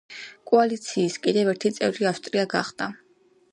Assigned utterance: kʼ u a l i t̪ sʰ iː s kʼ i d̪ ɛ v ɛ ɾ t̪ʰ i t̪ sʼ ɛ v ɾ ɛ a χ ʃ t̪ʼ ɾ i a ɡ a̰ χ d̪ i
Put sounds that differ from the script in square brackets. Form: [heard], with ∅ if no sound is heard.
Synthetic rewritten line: kʼ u a l i t̪ sʰ iː s kʼ i d̪ ɛ v ɛ ɾ t̪ʰ i t̪ sʼ ɛ v ɾ [i] a [f] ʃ t̪ʼ ɾ i a ɡ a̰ χ d̪ [a]